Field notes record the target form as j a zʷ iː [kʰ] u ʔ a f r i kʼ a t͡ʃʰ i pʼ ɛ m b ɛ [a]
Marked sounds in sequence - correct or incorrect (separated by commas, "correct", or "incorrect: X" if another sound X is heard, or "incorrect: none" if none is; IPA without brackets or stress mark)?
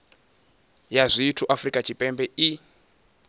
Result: incorrect: tʰ, incorrect: i